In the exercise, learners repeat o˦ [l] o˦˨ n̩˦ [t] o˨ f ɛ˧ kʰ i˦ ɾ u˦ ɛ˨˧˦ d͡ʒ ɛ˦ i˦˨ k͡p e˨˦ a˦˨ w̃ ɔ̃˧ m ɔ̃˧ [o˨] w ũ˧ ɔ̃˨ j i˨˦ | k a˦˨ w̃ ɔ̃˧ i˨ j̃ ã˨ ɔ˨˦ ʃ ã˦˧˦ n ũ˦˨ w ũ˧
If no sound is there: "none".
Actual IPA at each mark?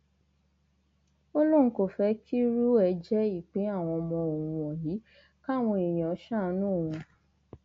l, k, o˨

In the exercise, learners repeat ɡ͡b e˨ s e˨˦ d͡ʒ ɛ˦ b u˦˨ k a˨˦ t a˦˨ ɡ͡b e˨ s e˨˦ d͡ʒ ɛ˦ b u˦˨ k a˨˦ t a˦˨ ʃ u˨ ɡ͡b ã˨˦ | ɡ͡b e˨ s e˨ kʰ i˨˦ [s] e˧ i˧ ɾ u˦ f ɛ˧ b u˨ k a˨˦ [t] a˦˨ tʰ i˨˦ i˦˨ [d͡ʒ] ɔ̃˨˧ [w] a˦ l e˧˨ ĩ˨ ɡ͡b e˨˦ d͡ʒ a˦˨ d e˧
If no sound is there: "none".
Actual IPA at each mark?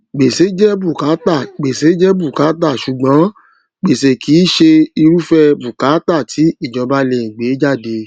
ʃ, t, d͡ʒ, b

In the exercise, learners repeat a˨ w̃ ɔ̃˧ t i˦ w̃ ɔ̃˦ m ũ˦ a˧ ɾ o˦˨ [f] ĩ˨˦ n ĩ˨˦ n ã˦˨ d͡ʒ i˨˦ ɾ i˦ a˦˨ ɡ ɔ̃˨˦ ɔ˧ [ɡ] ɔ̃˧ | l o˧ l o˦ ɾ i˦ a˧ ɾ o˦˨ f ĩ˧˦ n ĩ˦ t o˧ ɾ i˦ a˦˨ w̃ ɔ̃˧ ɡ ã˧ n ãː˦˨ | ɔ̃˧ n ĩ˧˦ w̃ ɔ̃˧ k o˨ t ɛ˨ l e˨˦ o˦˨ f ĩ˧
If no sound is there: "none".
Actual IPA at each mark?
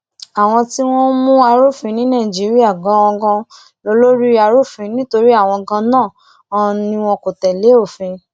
f, ɡ

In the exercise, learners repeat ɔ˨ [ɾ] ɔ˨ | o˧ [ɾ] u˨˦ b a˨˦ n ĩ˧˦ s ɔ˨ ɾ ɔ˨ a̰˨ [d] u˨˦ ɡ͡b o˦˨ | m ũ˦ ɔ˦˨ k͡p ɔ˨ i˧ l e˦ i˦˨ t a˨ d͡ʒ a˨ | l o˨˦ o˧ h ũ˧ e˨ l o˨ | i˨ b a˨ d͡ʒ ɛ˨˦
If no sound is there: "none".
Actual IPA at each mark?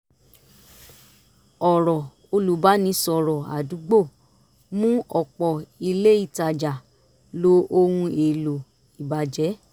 ɾ, l, d

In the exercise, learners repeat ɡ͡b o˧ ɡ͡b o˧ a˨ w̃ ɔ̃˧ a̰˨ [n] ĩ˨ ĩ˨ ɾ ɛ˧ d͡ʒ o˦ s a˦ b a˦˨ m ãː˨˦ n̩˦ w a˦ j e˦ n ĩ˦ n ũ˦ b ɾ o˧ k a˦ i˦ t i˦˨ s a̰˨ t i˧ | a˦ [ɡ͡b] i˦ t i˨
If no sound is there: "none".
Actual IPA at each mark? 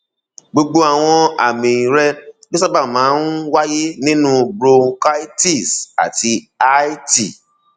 m, none

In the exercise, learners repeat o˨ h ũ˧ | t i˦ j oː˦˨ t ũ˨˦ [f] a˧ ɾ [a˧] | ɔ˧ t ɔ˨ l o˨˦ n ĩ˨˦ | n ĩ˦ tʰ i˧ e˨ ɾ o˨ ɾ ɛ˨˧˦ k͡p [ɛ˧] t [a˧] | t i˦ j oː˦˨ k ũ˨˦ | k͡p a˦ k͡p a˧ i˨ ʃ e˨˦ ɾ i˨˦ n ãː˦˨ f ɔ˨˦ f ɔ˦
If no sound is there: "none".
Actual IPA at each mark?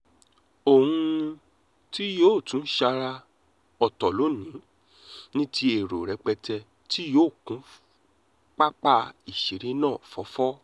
ʃ, a˧, ɛ˧, ɛ˧

